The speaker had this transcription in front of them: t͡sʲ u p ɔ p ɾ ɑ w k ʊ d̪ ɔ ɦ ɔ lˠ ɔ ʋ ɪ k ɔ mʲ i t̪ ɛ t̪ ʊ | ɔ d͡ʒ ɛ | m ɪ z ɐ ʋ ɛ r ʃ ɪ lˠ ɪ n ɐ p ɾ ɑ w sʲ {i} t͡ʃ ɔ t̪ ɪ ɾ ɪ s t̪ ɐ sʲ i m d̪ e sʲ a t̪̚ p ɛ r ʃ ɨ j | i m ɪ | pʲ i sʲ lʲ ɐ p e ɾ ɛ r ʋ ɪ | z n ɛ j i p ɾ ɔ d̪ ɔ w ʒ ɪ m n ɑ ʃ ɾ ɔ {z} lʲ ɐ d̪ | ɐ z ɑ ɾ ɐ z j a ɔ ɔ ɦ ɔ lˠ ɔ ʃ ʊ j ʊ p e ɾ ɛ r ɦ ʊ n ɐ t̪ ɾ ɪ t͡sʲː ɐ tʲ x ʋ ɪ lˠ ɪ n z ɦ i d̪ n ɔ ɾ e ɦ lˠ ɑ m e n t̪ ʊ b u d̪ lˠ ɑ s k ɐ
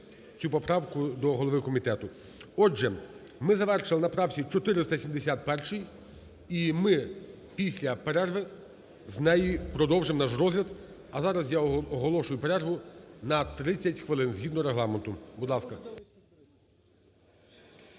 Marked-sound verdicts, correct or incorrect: correct, correct

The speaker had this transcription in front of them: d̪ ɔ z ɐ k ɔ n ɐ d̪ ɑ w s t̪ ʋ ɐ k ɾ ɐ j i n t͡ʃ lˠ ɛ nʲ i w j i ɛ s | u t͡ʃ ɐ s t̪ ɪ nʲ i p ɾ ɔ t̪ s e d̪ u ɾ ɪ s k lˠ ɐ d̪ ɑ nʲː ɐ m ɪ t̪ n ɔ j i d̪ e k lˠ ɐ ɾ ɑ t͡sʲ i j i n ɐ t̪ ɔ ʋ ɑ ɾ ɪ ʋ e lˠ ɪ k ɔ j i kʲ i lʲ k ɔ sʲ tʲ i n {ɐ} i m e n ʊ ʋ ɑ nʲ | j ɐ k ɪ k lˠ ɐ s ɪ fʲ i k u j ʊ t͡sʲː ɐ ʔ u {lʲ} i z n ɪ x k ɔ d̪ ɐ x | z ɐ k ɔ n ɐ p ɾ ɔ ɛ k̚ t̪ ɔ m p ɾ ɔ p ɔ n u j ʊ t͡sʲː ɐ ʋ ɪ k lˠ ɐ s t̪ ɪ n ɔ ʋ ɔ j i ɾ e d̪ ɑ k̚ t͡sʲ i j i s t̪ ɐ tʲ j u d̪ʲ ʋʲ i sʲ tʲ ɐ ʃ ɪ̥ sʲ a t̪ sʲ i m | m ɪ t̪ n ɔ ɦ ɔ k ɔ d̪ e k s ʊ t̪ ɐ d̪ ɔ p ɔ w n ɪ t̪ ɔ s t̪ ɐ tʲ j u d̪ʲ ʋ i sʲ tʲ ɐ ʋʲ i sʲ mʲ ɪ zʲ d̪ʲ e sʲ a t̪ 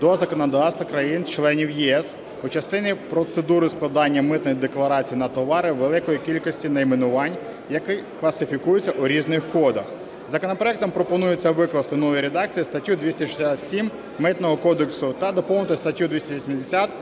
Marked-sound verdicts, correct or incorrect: correct, incorrect

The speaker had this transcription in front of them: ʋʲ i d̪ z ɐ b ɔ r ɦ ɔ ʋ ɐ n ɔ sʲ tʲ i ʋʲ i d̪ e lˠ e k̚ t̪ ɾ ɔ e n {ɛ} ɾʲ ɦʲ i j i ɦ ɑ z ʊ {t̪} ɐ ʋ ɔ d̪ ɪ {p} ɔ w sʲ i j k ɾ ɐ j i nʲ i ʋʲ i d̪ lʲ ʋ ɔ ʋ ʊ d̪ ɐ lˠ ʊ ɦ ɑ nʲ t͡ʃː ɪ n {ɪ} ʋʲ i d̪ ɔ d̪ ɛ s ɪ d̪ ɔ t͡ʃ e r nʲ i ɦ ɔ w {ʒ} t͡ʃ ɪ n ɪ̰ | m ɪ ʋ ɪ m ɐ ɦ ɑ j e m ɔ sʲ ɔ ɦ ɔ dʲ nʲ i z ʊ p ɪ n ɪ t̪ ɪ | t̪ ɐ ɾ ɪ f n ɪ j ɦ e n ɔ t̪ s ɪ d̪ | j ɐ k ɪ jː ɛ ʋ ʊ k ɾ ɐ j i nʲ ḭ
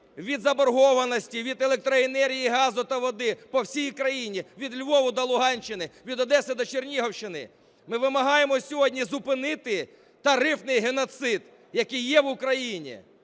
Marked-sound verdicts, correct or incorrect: correct, correct, correct, correct, incorrect

